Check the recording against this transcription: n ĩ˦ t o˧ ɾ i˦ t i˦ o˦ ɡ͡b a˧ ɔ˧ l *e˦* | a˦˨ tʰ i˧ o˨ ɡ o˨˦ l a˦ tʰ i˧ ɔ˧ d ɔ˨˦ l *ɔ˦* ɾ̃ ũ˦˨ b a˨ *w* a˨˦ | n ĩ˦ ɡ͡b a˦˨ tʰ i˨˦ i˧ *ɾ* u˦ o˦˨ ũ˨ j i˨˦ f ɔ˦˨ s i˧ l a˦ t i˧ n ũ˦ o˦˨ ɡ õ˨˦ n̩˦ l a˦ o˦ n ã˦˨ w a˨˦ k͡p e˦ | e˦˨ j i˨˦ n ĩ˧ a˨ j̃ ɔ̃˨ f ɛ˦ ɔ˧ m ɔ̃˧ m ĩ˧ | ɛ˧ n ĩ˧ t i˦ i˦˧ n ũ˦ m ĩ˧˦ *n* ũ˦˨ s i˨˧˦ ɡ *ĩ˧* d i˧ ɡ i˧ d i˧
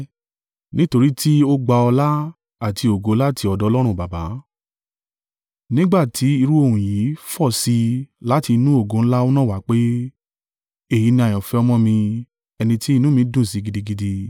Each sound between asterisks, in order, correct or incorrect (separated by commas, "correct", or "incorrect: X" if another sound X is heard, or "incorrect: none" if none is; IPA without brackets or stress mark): incorrect: a˦, correct, incorrect: b, correct, incorrect: d, incorrect: i˧